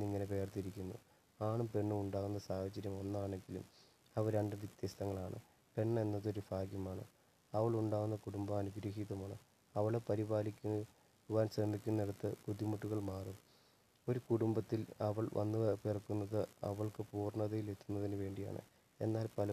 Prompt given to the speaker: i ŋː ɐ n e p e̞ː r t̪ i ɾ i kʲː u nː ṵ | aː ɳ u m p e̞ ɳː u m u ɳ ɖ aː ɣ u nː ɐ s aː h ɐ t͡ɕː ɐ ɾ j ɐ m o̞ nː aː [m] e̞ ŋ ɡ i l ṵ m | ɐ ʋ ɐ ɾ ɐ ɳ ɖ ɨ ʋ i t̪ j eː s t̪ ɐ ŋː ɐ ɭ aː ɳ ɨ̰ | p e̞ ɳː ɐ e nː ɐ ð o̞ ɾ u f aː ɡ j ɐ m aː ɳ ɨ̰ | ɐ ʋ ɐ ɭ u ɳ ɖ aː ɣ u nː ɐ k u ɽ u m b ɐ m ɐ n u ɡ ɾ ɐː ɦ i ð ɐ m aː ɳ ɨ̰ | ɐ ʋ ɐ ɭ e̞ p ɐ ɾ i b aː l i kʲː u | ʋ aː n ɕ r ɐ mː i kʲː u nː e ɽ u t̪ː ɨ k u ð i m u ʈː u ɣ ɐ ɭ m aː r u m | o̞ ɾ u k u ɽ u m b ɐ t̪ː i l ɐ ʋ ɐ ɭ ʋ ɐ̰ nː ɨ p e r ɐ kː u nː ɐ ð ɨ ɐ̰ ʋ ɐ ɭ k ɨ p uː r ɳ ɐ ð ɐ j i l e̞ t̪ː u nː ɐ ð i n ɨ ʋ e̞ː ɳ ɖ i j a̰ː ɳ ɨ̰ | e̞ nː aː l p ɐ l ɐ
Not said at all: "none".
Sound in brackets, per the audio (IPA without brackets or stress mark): ɳ